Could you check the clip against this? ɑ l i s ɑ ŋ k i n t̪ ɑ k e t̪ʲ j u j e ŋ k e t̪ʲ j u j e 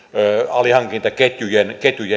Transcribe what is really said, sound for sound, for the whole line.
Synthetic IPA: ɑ l i h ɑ ŋ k i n t̪ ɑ k e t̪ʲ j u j e n k e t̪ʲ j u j e

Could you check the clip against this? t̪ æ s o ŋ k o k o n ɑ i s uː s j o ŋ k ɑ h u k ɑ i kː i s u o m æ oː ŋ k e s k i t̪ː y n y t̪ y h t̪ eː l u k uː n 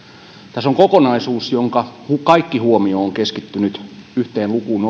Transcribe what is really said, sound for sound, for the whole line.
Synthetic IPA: t̪ æ s o ŋ k o k o n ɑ i s uː s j o ŋ k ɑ h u k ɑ i kː i h u o m i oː ŋ k e s k i t̪ː y n y t̪ y h t̪ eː l u k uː n

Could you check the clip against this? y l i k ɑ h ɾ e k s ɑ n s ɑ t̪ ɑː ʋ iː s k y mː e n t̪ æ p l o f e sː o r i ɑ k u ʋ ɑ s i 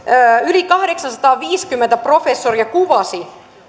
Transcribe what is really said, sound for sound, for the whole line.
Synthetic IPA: y l i k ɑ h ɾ e k s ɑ n s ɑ t̪ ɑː ʋ iː s k y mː e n t̪ æ p r o f e sː o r i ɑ k u ʋ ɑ s i

